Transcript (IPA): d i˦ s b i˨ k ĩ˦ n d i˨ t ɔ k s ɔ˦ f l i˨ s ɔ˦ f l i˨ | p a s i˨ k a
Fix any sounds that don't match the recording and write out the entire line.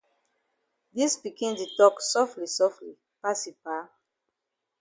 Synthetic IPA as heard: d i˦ s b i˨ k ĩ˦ n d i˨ t ɔ k s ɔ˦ f l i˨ s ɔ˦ f l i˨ | p a s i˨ p a